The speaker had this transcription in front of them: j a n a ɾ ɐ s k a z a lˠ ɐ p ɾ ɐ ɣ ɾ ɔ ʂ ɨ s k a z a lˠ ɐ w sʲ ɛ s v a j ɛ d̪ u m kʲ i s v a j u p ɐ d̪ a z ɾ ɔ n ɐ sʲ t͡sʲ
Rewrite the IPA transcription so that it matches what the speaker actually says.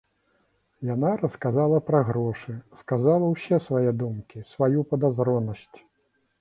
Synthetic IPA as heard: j a n a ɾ ɐ s k a z a lˠ ɐ p ɾ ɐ ɣ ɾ ɔ ʂ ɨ s k a z a lˠ ɐ w sʲ ɛ s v a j ɛ d̪ u m kʲ i s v a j u p ɐ d̪ a z ɾ ɔ n ɐ sʲ t͡sʲ